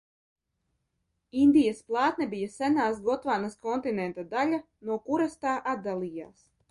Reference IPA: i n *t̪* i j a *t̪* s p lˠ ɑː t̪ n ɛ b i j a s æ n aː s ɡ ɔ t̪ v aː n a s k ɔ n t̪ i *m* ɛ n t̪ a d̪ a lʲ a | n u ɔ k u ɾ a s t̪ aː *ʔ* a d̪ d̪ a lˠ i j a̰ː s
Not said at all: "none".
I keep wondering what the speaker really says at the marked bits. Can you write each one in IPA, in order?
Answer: d̪, none, n, ʔ

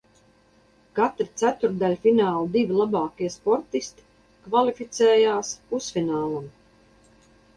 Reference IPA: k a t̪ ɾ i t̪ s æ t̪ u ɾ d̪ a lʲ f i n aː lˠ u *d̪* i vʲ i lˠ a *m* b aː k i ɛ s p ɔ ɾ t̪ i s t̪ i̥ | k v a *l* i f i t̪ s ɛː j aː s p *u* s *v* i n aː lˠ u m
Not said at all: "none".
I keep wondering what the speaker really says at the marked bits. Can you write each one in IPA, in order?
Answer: d̪, none, l, u, f

